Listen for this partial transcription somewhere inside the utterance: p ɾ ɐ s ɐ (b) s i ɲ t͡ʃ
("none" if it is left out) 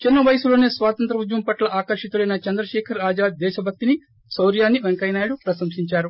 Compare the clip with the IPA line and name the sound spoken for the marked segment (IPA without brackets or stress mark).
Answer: m